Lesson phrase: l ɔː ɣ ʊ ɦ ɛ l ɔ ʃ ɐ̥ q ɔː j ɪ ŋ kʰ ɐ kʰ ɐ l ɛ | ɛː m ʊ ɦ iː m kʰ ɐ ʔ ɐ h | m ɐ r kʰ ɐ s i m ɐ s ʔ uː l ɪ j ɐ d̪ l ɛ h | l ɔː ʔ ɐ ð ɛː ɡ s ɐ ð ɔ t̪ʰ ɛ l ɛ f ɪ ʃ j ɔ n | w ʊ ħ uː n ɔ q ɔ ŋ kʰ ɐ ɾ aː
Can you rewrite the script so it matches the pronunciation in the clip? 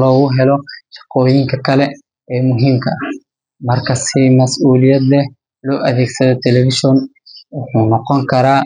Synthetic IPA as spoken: l ɔː ɣ ʊ ɦ ɛ l ɔ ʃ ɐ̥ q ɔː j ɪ ŋ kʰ ɐ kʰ ɐ l ɛ | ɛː m ʊ ɦ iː m kʰ ɐ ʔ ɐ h | m ɐ r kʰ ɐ s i m ɐ s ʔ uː l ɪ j ɐ d̪ l ɛ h | l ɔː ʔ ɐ ð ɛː ɡ s ɐ ð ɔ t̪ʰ ɛ l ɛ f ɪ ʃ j ɔ n | w ʊ ħ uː n ɔ q ɔ ŋ kʰ ɐ ɾ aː